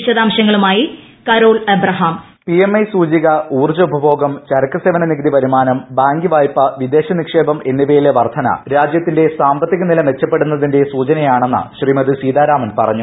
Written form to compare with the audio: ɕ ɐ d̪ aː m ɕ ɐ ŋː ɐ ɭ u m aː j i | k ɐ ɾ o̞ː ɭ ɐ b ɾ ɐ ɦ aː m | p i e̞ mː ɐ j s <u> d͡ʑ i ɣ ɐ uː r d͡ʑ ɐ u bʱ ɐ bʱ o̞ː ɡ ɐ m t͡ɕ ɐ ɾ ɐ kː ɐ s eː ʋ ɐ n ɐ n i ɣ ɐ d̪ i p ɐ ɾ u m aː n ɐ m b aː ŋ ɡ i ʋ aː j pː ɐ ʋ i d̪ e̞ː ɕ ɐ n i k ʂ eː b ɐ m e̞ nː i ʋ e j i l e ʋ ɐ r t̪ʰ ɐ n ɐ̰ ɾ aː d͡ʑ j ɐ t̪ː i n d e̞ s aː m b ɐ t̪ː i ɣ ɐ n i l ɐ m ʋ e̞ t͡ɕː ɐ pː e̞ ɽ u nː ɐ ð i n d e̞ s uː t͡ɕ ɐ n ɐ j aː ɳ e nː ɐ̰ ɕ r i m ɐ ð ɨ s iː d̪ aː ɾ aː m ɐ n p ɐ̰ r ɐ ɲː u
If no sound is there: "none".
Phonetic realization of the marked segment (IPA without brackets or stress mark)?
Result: uː